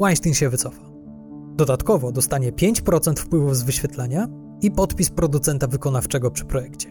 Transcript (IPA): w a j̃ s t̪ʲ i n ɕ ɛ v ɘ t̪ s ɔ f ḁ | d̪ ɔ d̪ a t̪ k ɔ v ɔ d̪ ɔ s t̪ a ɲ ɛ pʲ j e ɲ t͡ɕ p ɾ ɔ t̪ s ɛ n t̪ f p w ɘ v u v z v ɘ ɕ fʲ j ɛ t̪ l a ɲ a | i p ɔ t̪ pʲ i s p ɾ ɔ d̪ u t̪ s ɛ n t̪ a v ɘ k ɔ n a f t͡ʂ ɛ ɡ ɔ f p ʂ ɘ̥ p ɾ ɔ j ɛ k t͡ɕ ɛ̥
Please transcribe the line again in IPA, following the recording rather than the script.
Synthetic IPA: w a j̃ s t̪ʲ i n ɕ ɛ v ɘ t̪ s ɔ f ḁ | d̪ ɔ d̪ a t̪ k ɔ v ɔ d̪ ɔ s t̪ a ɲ ɛ pʲ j e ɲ t͡ɕ p ɾ ɔ t̪ s ɛ n t̪ f p w ɘ v u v z v ɘ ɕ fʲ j ɛ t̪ l a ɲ a | i p ɔ t̪ pʲ i s p ɾ ɔ d̪ u t̪ s ɛ n t̪ a v ɘ k ɔ n a f t͡ʂ ɛ ɡ ɔ p ʂ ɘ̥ p ɾ ɔ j ɛ k t͡ɕ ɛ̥